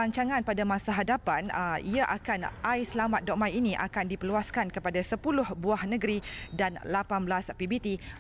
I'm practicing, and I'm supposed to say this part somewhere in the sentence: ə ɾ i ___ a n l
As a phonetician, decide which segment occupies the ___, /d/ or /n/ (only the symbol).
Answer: d